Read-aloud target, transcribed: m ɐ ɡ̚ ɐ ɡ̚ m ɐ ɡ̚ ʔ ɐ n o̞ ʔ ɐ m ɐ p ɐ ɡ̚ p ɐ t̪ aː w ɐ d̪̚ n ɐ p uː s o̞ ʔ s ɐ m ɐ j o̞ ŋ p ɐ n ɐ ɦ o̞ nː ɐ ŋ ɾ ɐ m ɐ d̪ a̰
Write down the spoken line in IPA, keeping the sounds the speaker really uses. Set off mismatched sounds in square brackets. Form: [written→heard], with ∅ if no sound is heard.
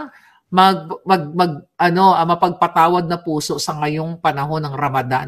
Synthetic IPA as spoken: m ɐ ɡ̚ ɐ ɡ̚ m ɐ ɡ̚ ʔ ɐ n o̞ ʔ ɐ m ɐ p ɐ ɡ̚ p ɐ t̪ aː w ɐ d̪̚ n ɐ p uː s o̞ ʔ s ɐ [m→ŋ] ɐ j o̞ ŋ p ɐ n ɐ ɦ o̞ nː ɐ ŋ ɾ ɐ m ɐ d̪ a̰

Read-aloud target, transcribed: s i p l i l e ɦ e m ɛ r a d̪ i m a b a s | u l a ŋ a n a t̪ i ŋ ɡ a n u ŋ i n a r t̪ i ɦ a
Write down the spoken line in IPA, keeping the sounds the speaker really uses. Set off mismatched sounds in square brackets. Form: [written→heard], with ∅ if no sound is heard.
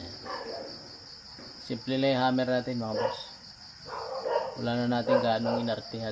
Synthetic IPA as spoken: s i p l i l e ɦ [e→a] m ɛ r a [d̪→t̪] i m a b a s | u l a [ŋ→n] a n a t̪ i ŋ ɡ a n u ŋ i n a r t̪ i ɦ a

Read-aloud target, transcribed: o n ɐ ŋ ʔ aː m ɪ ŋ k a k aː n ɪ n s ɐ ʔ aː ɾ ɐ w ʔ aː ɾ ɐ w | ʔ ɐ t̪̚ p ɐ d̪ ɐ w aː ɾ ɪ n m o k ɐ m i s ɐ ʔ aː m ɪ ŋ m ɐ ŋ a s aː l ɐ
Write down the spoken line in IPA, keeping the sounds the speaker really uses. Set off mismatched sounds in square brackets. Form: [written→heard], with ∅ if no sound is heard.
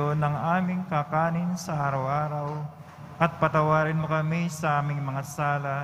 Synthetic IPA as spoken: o n ɐ ŋ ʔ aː m ɪ ŋ k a k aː n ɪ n s ɐ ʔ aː ɾ ɐ w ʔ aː ɾ ɐ w | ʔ ɐ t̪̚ p ɐ [d̪→t̪] ɐ w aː ɾ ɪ n m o k ɐ m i s ɐ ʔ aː m ɪ ŋ m ɐ ŋ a s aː l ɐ

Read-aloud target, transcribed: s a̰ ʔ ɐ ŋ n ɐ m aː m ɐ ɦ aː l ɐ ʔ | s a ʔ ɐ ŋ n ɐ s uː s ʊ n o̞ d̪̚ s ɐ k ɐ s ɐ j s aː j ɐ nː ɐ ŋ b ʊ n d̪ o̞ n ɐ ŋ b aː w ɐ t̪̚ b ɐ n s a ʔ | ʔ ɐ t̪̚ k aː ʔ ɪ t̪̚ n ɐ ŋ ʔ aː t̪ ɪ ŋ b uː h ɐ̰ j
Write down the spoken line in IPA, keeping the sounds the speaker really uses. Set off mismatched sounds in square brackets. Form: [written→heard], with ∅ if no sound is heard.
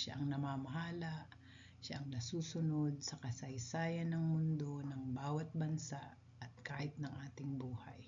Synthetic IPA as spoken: [s→ʃ] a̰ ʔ ɐ ŋ n ɐ m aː m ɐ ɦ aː l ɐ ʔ | [s→ʃ] a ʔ ɐ ŋ n ɐ s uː s ʊ n o̞ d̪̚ s ɐ k ɐ s ɐ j s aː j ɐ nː ɐ ŋ [b→m] ʊ n d̪ o̞ n ɐ ŋ b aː w ɐ t̪̚ b ɐ n s a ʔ | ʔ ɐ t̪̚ k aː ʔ ɪ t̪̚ n ɐ ŋ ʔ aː t̪ ɪ ŋ b uː h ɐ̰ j

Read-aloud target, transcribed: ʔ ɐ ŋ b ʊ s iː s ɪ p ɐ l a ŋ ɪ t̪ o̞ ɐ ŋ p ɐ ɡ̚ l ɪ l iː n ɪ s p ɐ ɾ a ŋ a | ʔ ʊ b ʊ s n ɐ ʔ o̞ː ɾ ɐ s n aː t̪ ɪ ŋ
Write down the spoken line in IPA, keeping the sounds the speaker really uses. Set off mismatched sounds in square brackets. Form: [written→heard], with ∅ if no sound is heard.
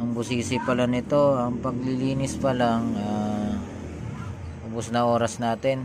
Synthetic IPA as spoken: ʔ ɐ ŋ b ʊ s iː s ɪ p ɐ l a [ŋ→n] ɪ t̪ o̞ ɐ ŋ p ɐ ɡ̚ l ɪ l iː n ɪ s p ɐ [ɾ→l] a ŋ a | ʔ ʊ b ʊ s n ɐ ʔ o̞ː ɾ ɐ s n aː t̪ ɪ [ŋ→n]

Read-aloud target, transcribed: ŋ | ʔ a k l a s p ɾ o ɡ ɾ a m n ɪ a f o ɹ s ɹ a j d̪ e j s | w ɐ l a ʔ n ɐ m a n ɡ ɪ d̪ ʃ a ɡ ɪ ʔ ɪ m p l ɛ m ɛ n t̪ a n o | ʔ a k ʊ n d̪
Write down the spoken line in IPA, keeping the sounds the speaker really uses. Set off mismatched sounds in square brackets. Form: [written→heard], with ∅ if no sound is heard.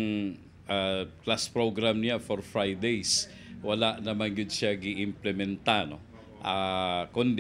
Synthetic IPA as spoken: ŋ | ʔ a k l a s p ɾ o ɡ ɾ a m n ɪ a f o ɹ [s→f] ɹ a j d̪ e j s | w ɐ l a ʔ n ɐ m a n ɡ ɪ d̪ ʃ a ɡ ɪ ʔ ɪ m p l ɛ m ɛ n t̪ a n o | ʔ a k ʊ n d̪

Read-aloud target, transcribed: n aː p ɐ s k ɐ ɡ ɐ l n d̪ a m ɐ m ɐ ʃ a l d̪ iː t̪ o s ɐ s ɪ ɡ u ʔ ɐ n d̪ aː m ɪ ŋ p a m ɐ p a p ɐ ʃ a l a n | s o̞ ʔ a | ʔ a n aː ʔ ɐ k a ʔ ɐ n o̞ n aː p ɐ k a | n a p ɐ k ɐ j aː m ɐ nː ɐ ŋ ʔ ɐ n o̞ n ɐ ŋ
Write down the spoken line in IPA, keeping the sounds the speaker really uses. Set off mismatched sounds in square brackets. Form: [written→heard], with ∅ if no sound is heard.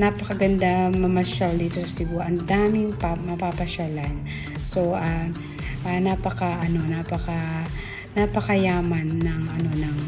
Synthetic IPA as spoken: n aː p ɐ [s→∅] k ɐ ɡ ɐ [l→∅] n d̪ a m ɐ m ɐ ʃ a l d̪ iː t̪ o s ɐ s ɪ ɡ u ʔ ɐ n d̪ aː m ɪ ŋ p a m ɐ p a p ɐ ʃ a l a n | s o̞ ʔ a | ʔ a n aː [ʔ→p] ɐ k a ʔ ɐ n o̞ n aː p ɐ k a | n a p ɐ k ɐ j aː m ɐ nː ɐ ŋ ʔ ɐ n o̞ n ɐ ŋ

